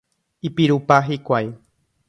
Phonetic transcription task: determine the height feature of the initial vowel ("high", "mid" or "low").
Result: high